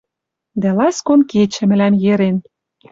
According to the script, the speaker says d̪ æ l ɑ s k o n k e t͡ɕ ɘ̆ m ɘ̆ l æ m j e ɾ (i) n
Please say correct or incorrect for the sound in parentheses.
incorrect